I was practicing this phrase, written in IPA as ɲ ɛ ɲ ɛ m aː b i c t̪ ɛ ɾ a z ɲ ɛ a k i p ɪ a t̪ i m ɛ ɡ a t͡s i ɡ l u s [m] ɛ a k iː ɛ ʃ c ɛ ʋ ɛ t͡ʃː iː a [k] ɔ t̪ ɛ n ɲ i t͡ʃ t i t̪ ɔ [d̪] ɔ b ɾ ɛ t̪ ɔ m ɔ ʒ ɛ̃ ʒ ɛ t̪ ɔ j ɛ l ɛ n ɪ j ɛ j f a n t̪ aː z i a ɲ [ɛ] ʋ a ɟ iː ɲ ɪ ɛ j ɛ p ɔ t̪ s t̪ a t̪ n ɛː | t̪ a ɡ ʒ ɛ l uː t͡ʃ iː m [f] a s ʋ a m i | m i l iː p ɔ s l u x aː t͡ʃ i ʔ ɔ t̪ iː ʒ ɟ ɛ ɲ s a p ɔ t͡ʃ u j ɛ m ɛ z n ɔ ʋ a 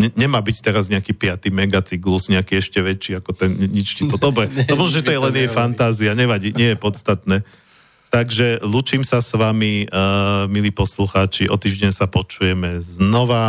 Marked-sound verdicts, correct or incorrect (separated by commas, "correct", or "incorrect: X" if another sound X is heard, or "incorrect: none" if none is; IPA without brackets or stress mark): incorrect: ɲ, correct, correct, correct, incorrect: s